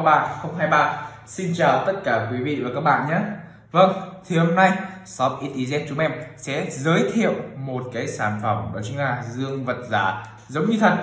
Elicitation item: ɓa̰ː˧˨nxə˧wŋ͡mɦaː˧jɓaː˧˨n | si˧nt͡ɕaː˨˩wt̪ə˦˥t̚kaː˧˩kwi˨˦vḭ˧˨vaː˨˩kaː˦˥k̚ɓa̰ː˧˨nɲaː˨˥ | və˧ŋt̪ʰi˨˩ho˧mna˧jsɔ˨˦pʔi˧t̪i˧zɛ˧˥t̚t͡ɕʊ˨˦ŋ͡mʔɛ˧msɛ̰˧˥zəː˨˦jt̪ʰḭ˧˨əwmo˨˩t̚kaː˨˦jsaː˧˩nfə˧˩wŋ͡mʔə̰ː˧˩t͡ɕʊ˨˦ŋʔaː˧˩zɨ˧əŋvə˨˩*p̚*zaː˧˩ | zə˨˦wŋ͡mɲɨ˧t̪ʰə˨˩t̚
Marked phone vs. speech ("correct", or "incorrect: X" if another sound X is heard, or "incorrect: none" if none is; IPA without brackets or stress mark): incorrect: t̚